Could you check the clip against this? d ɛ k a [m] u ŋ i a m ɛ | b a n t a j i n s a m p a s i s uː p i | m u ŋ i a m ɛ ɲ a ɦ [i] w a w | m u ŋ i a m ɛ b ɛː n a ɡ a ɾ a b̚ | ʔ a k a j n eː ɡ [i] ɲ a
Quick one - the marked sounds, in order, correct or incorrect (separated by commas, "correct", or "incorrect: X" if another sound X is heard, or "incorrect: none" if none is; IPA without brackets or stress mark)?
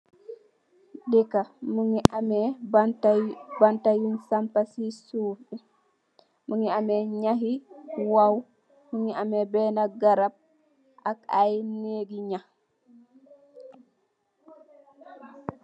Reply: correct, correct, correct